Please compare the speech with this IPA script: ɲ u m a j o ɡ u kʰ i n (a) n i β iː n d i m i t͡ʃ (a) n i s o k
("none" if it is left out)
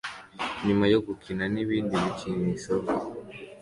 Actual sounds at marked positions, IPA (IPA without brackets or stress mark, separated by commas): a, i